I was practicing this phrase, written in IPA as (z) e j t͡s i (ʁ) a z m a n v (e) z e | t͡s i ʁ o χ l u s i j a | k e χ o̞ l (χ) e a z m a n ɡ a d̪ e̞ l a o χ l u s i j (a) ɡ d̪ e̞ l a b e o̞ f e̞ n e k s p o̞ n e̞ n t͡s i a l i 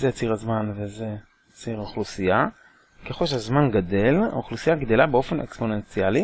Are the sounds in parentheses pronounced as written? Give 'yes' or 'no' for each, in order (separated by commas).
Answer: yes, yes, yes, no, yes